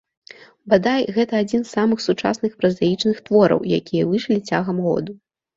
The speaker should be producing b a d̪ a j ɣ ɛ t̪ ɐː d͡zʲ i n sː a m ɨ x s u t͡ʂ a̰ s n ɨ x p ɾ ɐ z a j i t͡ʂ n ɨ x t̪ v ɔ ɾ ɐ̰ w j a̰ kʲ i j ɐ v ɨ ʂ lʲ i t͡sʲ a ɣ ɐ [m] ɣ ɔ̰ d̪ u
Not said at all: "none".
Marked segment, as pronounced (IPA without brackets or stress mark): m